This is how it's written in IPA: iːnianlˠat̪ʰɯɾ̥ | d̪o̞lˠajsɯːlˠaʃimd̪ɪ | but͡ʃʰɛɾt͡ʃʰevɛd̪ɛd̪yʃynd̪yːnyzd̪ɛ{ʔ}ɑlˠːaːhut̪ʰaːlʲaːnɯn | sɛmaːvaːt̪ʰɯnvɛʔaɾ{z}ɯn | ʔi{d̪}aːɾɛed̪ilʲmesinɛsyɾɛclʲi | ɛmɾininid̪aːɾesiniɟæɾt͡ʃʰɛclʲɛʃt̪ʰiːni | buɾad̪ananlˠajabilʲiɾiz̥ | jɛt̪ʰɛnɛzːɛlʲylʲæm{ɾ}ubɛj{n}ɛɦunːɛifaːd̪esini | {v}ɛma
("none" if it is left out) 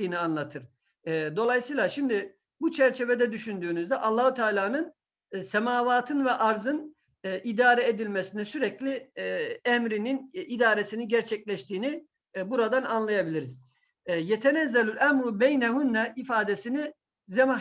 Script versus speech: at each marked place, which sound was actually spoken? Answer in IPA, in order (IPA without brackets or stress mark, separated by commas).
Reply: ʔ, z, d̪, ɾ, n, z